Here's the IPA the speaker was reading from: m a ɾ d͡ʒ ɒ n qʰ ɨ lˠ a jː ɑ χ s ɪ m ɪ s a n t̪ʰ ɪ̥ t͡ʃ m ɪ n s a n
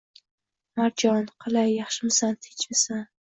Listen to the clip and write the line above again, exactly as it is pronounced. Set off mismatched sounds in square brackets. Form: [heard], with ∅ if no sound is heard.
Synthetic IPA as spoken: m a ɾ d͡ʒ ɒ n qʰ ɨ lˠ a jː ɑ χ [ʃ] ɪ m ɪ s a n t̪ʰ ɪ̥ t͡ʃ m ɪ [∅] s a n